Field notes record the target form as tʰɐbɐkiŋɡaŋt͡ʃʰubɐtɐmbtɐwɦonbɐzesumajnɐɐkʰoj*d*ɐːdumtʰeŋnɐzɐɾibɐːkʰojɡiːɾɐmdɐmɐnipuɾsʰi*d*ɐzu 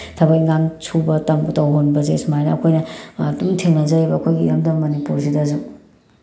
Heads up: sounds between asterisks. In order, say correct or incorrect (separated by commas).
incorrect, correct